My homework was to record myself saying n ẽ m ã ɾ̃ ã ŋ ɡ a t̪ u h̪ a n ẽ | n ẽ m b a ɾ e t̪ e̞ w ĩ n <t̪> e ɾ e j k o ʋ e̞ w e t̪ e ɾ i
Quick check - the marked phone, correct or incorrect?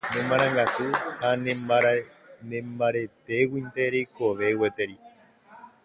correct